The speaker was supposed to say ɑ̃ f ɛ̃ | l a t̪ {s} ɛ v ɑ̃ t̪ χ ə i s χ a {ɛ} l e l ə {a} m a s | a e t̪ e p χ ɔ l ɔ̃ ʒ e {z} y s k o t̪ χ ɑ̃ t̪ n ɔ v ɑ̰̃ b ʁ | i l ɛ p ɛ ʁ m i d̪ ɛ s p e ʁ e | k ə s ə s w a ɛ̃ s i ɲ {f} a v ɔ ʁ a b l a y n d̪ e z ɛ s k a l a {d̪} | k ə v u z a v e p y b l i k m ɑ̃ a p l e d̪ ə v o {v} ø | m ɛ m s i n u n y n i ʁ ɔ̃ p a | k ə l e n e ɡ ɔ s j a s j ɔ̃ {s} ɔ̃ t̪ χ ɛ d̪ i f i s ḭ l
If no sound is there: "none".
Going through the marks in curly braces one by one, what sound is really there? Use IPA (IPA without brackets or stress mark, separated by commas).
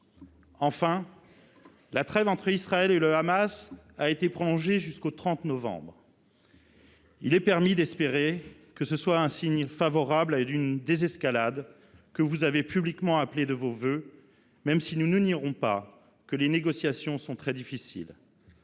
χ, ɛ, a, ʒ, f, d̪, v, s